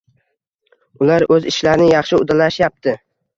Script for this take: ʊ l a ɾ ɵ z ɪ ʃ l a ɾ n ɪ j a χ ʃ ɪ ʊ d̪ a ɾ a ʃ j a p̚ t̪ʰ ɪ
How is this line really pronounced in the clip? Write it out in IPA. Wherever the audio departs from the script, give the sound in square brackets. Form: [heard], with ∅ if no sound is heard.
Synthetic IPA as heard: ʊ l a ɾ ɵ z ɪ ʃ l a ɾ n ɪ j [ɑ] χ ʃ ɪ ʊ d̪ a [l] a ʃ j a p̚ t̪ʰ ɪ